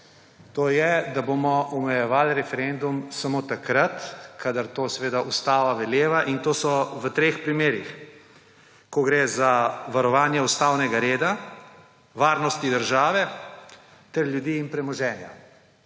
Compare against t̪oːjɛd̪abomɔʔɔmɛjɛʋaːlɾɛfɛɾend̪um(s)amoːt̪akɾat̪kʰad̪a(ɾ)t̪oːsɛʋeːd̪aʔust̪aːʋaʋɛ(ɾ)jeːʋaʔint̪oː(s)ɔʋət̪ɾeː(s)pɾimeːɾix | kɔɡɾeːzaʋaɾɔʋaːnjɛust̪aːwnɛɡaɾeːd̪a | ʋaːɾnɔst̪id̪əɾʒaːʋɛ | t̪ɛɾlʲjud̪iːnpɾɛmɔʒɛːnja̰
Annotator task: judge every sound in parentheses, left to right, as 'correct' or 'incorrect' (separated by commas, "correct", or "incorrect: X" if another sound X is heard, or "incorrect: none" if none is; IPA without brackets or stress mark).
correct, correct, incorrect: l, correct, incorrect: x